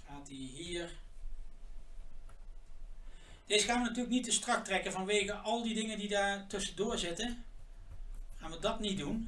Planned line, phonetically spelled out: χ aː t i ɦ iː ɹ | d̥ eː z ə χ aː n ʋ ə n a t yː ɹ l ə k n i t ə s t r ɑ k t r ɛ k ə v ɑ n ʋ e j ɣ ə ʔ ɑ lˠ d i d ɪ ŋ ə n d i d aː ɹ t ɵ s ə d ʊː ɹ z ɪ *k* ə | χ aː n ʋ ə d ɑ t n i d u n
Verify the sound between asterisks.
incorrect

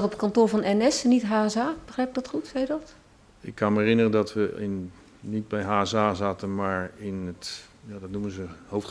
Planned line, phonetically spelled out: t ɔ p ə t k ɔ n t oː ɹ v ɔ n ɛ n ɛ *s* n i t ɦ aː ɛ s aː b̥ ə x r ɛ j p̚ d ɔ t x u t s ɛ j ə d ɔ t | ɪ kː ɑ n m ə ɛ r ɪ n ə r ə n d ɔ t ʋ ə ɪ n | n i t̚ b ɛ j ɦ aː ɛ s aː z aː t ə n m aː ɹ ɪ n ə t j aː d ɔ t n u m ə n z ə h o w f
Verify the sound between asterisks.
correct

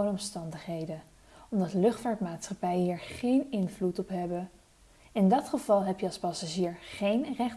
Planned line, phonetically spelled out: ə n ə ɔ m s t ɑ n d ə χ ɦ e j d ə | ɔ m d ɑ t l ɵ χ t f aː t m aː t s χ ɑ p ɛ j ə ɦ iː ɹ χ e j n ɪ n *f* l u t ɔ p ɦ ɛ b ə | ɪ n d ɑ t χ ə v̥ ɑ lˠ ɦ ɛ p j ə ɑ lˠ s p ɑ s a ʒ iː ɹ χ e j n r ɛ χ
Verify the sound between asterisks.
incorrect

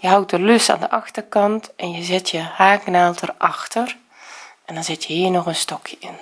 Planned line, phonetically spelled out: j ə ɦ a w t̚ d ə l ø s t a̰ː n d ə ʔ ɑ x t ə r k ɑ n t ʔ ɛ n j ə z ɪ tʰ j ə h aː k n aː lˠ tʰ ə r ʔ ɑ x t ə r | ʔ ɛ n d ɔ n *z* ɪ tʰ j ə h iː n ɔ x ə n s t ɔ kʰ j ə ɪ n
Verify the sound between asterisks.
correct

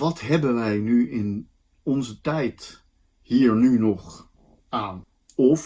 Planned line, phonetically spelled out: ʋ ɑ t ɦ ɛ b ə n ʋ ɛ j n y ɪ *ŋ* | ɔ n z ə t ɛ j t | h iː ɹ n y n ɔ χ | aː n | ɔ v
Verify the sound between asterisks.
incorrect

